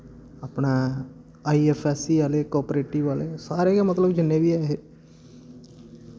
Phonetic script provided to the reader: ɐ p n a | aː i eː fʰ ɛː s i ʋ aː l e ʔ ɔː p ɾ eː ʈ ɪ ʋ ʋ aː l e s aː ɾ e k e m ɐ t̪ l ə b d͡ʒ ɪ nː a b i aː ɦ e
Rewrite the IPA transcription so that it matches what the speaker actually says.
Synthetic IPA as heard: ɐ p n a | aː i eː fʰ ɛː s i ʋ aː l e k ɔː p ɾ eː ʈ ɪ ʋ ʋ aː l e s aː ɾ e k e m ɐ t̪ l ə b d͡ʒ ɪ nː e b i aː ɦ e